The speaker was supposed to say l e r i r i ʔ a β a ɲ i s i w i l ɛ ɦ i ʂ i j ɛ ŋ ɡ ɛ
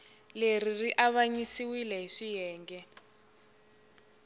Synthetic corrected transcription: l e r i r i ʔ a β a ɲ i s i w i l ɛ ɦ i ʂ i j ɛː ŋ ɡ ɛ